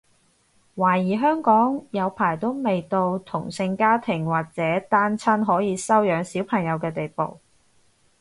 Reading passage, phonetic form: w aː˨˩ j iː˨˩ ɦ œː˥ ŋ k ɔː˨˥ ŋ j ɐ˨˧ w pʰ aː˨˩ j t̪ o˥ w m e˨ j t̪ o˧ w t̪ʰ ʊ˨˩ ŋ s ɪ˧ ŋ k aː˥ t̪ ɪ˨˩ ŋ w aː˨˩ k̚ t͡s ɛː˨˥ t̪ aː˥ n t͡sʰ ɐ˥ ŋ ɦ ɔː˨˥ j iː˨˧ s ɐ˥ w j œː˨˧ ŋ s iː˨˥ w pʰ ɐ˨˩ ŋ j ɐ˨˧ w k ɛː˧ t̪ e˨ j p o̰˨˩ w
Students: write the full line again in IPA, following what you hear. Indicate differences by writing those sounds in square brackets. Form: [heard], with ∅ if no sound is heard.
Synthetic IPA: w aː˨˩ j iː˨˩ ɦ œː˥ ŋ k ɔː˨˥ ŋ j ɐ˨˧ w pʰ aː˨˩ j t̪ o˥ w m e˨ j t̪ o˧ w t̪ʰ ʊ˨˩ ŋ s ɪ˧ ŋ k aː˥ [t̪ʰ] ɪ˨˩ ŋ w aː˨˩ k̚ t͡s ɛː˨˥ t̪ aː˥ n t͡sʰ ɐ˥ [n] ɦ ɔː˨˥ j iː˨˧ s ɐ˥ w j œː˨˧ ŋ s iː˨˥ w pʰ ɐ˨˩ ŋ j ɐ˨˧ w k ɛː˧ t̪ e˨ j p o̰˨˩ w

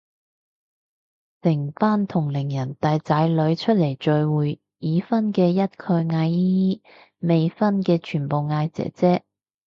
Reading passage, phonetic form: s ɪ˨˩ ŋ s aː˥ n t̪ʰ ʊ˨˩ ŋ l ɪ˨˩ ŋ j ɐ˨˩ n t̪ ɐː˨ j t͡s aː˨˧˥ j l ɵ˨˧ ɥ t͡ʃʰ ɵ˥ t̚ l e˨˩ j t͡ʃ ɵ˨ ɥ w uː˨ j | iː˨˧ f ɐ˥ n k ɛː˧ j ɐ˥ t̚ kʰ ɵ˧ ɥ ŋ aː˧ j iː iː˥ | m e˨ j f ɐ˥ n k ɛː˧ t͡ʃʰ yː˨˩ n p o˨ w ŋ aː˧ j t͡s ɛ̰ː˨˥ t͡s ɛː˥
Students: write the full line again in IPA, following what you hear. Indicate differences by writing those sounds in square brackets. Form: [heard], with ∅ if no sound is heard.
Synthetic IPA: s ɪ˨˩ ŋ [f] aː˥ n t̪ʰ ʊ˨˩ ŋ l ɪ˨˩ ŋ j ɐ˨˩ n t̪ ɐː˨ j t͡s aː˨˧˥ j l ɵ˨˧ ɥ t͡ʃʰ ɵ˥ t̚ l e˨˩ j t͡ʃ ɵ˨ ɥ w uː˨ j | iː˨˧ f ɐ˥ n k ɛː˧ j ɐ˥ t̚ kʰ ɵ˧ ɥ ŋ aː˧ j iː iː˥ | m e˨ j f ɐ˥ n k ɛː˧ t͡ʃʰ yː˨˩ n p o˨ w ŋ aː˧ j t͡s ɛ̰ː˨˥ t͡s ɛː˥

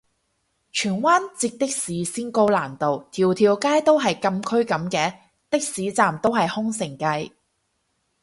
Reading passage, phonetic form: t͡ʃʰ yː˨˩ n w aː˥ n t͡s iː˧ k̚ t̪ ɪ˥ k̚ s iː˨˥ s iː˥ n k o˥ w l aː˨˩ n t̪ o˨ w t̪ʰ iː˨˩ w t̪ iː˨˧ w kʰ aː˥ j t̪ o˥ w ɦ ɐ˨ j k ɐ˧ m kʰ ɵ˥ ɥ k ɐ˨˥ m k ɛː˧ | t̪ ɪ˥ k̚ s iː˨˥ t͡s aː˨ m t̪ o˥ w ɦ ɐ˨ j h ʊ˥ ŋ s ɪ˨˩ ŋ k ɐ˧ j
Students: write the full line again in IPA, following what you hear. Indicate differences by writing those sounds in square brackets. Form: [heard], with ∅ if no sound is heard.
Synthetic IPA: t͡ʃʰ yː˨˩ n w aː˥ n t͡s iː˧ k̚ t̪ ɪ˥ k̚ s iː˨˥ s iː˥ n k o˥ w l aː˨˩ n t̪ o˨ w t̪ʰ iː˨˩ w [t̪ʰ] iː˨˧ w [k] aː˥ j t̪ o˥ w ɦ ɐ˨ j k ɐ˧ m kʰ ɵ˥ ɥ k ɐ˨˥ m k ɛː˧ | t̪ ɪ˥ k̚ s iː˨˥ t͡s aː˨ m t̪ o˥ w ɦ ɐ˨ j h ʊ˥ ŋ s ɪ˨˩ ŋ k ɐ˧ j

